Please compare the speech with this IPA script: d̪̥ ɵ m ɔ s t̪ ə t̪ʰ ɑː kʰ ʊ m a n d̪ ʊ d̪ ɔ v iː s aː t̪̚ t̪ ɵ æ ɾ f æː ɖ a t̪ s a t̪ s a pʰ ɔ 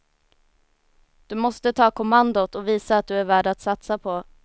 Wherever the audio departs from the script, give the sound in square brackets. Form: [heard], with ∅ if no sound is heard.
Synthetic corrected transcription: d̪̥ ɵ m ɔ s t̪ ə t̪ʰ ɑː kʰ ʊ m a n d̪ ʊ [t̪] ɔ v iː s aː t̪̚ [d̪] ɵ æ ɾ [v] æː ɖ a t̪ s a t̪ s a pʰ ɔ